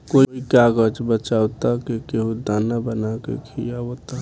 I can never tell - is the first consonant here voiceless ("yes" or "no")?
yes